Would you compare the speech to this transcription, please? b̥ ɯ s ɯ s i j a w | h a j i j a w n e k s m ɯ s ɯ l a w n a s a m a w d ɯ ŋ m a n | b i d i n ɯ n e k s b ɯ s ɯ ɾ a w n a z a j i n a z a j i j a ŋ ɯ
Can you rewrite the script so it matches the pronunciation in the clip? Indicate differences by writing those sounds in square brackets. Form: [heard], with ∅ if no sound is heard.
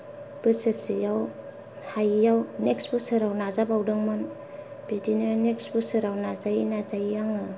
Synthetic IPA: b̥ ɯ s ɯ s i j a w | h a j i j a w n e k s [b] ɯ s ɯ [ɾ] a w n a [z] a [b] a w d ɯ ŋ m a n | b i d i n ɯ n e k s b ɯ s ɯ ɾ a w n a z a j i n a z a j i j a ŋ ɯ